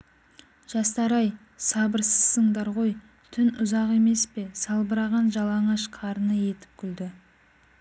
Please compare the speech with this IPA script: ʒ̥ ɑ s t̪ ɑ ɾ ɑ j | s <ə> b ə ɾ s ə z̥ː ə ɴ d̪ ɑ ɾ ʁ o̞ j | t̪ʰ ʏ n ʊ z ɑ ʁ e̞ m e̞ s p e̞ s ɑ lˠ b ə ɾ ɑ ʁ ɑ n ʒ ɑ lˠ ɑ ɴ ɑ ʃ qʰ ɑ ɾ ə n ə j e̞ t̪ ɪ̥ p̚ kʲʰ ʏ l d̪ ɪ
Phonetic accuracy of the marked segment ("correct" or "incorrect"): incorrect